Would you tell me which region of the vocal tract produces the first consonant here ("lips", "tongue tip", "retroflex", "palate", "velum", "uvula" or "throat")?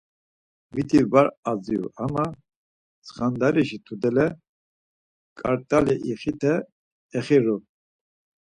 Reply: lips